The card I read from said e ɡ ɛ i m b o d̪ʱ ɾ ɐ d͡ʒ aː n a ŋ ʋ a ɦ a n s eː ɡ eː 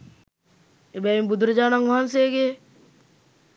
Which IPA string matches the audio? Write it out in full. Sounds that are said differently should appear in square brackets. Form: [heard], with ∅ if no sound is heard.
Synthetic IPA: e [b] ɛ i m b [u] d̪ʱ ɾ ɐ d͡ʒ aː n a ŋ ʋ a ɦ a n s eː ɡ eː

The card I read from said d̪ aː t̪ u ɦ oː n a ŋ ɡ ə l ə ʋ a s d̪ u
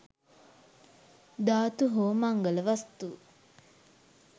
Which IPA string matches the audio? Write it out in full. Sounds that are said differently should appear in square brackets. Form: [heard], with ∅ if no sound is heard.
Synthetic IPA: d̪ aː t̪ u ɦ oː [m] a ŋ ɡ ə l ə ʋ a s [t̪] u

